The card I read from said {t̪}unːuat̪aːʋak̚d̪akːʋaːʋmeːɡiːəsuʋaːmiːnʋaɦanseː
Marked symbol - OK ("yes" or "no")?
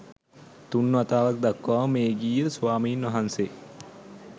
yes